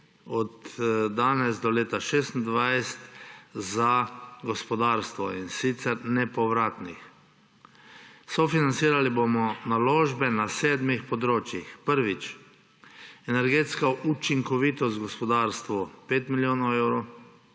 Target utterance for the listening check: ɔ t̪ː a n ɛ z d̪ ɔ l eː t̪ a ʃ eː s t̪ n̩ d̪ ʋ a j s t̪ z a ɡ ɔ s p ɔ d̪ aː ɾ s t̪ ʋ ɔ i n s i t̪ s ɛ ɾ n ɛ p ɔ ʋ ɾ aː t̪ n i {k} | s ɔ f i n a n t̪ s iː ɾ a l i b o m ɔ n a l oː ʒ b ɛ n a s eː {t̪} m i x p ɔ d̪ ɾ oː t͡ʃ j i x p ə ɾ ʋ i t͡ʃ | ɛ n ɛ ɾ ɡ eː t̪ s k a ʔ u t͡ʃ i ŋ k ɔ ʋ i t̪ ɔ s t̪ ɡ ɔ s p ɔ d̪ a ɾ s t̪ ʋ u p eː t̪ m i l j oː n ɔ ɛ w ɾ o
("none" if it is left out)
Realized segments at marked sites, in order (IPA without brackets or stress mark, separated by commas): x, d̪